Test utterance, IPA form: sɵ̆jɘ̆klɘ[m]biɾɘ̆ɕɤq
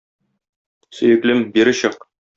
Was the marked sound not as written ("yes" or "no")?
no